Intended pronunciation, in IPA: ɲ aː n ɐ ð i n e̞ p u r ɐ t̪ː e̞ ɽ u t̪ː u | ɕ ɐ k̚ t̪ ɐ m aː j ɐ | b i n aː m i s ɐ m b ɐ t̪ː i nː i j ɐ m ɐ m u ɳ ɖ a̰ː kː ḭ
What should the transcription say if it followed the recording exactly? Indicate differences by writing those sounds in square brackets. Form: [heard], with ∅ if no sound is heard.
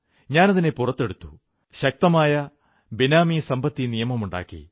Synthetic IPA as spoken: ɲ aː n ɐ ð i n e̞ p u r ɐ t̪ː e̞ ɽ u t̪ː u | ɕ ɐ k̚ t̪ ɐ m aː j ɐ | b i n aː m i s ɐ m b ɐ t̪ː i [n] i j ɐ m ɐ m u ɳ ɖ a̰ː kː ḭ